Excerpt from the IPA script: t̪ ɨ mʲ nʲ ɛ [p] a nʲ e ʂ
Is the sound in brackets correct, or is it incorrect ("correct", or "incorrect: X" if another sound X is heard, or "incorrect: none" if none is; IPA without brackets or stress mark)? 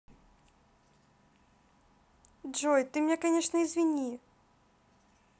incorrect: k